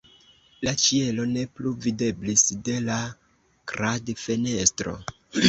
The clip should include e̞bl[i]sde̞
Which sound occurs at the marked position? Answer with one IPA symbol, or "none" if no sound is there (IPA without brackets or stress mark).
i